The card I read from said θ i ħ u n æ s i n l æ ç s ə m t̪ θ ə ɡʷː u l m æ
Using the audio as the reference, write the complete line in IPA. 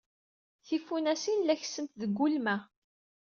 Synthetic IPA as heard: θ i f u n æ s i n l æ ç s ə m t̪ ð ə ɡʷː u l m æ